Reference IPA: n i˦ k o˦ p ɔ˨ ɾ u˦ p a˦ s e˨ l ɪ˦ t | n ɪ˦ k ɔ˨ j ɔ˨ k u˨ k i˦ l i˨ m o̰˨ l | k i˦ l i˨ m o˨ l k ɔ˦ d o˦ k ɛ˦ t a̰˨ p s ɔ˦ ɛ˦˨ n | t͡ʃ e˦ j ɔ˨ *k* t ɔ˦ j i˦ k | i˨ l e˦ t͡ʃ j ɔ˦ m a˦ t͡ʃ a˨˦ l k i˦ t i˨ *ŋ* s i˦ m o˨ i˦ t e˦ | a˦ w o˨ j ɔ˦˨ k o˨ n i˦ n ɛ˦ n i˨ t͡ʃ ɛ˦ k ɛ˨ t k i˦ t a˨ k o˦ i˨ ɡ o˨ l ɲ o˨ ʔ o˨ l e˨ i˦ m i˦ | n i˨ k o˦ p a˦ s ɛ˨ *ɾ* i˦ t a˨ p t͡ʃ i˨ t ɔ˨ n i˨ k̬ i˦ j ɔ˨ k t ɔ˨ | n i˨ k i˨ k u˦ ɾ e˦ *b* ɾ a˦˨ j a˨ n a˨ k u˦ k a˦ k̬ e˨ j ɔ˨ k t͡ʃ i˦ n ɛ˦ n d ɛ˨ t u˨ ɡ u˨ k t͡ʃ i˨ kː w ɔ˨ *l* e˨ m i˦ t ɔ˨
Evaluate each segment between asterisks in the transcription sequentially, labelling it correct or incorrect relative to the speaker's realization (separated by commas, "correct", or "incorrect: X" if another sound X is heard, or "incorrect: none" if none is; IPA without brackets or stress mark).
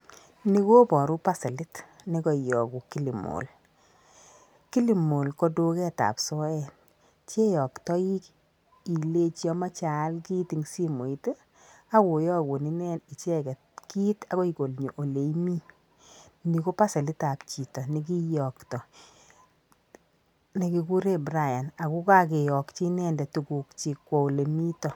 correct, correct, incorrect: l, correct, correct